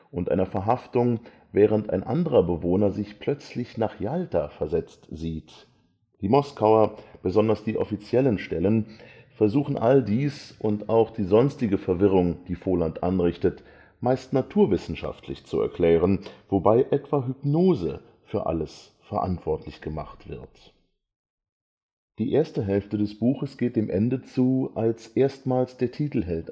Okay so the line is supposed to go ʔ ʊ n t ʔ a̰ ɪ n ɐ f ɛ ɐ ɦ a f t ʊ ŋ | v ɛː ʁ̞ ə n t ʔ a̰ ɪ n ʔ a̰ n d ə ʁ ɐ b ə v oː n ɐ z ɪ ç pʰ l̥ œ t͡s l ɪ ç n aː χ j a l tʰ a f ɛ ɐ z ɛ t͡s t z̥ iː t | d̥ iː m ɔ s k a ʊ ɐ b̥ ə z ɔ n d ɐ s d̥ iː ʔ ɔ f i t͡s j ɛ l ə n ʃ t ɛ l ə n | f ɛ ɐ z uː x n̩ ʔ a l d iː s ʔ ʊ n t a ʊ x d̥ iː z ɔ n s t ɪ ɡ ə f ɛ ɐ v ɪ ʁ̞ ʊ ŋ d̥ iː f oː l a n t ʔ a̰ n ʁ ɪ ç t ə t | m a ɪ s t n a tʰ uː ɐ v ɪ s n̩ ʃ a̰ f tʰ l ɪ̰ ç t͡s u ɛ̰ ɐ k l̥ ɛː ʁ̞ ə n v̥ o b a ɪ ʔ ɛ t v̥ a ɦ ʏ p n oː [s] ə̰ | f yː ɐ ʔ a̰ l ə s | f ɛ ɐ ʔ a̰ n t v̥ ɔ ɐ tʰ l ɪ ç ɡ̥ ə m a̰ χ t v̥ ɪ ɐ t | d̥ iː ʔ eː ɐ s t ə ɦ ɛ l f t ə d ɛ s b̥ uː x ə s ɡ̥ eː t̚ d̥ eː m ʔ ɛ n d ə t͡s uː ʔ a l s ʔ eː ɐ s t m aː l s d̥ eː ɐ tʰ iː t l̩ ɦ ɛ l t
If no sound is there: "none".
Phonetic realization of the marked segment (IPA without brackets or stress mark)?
z